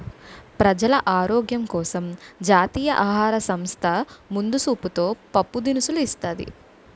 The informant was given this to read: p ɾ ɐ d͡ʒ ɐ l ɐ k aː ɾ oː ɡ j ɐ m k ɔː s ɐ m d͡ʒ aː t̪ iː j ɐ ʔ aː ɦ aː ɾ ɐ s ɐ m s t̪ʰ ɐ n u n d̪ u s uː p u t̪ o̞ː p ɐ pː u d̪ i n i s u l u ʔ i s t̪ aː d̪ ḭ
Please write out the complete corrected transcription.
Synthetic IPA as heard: p ɾ ɐ d͡ʒ ɐ l ɐ ʔ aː ɾ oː ɡ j ɐ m k ɔː s ɐ m d͡ʒ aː t̪ iː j ɐ ʔ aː ɦ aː ɾ ɐ s ɐ m s t̪ʰ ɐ m u n d̪ u s uː p u t̪ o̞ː p ɐ pː u d̪ i n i s u l u i s t̪ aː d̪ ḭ